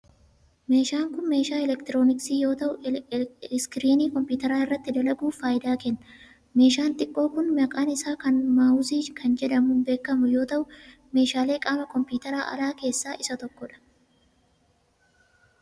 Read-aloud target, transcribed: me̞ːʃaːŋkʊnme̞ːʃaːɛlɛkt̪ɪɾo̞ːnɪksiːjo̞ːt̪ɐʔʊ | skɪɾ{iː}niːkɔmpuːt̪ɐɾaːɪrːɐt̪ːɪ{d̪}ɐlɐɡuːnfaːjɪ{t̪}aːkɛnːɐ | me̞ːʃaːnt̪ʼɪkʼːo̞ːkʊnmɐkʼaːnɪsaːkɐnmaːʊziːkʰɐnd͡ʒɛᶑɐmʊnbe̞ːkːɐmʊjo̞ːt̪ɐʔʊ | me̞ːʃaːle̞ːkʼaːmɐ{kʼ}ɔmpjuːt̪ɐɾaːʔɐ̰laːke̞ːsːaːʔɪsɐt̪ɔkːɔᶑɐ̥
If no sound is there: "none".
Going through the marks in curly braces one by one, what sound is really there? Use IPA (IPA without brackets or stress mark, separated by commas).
iː, d̪, d̪, k